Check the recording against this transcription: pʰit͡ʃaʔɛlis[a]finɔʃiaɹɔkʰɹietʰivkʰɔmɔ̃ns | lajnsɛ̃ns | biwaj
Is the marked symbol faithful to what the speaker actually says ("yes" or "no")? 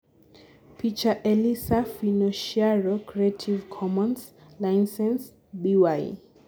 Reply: yes